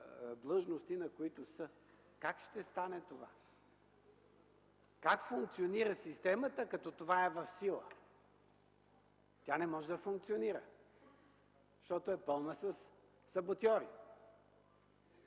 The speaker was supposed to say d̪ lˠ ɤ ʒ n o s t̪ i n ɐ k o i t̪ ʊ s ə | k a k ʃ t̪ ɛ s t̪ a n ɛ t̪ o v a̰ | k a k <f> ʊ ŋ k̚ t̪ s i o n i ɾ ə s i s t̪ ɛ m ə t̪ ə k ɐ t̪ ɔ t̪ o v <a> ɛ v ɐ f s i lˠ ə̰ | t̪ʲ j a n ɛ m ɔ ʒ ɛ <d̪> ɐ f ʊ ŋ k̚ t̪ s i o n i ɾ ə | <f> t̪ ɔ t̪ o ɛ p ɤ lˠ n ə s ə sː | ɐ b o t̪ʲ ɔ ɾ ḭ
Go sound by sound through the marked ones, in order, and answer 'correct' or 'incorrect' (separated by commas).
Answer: correct, correct, correct, incorrect